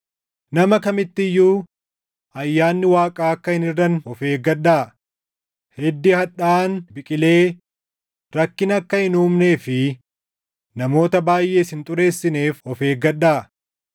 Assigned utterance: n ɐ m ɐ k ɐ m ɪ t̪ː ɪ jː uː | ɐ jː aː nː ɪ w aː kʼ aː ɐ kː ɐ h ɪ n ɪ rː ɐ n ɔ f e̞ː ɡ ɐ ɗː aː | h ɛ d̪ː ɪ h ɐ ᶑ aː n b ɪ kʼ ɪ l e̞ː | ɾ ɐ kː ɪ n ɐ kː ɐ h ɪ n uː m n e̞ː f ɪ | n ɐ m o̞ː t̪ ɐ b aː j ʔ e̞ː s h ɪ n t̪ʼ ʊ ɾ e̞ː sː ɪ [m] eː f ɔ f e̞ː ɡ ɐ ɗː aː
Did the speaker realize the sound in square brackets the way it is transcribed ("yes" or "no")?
no